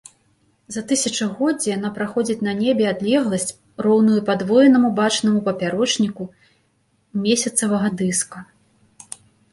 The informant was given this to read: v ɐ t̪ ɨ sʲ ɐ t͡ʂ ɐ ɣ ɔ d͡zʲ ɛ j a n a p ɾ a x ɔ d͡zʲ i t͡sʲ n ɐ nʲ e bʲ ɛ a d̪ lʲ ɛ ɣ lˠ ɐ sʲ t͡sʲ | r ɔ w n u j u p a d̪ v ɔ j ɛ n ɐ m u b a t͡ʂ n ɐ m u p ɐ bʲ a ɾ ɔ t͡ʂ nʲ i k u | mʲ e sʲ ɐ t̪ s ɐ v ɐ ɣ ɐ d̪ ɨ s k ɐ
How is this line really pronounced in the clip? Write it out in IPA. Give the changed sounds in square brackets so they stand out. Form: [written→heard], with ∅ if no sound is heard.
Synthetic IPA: [v→z] ɐ t̪ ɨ sʲ ɐ t͡ʂ ɐ ɣ ɔ d͡zʲ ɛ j a n a p ɾ a x ɔ d͡zʲ i t͡sʲ n ɐ nʲ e bʲ ɛ a d̪ lʲ ɛ ɣ lˠ ɐ sʲ t͡sʲ | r ɔ w n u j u p a d̪ v ɔ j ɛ n ɐ m u b a t͡ʂ n ɐ m u p ɐ [bʲ→pʲ] a ɾ ɔ t͡ʂ nʲ i k u | mʲ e sʲ ɐ t̪ s ɐ v ɐ ɣ ɐ d̪ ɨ s k ɐ